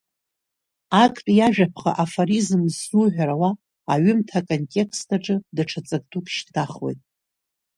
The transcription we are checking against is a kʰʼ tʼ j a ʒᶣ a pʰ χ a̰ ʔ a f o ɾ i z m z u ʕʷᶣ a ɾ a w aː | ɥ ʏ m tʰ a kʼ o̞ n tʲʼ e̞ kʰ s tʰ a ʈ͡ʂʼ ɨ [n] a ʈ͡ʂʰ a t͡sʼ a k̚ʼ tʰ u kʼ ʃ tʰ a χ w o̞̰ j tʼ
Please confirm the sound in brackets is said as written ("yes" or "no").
no